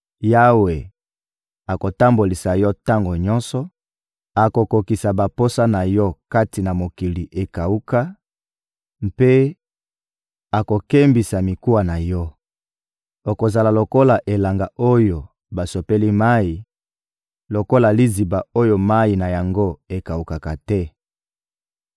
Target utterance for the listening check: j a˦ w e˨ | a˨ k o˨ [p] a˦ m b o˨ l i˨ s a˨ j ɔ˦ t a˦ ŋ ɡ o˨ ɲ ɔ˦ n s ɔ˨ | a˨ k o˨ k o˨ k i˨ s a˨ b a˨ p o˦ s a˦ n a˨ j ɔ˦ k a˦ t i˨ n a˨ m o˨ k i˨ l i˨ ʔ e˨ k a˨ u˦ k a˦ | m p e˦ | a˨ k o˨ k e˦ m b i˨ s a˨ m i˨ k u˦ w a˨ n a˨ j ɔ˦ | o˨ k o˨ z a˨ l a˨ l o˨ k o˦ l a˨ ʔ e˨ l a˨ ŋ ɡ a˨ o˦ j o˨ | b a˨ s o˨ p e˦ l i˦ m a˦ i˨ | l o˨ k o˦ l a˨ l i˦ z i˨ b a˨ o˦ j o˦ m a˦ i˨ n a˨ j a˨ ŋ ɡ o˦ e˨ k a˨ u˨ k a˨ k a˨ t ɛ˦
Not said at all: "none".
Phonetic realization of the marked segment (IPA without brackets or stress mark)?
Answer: t